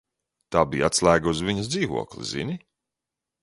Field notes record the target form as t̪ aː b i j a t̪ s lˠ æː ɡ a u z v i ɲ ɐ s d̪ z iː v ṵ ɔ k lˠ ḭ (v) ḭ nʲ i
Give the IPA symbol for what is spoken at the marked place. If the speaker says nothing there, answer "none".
z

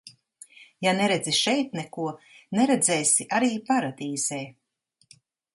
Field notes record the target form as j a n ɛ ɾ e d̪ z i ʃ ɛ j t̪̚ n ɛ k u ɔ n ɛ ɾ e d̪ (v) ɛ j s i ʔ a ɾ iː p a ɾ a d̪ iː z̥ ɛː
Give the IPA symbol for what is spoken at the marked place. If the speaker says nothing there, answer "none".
z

